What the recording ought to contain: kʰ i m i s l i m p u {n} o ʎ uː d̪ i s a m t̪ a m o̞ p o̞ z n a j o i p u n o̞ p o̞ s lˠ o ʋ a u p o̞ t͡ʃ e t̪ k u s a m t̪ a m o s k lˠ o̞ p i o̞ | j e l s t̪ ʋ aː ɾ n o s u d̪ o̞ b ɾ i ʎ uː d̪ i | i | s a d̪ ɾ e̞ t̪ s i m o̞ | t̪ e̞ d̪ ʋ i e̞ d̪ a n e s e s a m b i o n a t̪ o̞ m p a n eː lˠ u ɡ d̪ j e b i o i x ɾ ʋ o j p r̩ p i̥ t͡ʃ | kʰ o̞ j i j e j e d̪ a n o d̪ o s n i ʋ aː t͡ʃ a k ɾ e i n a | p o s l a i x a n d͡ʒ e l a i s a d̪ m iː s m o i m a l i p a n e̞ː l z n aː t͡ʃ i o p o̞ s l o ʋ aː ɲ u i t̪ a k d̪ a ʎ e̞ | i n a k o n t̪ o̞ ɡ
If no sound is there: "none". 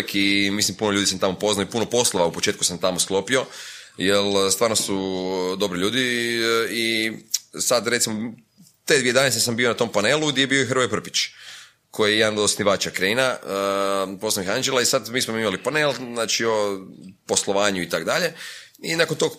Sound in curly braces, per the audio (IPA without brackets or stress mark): n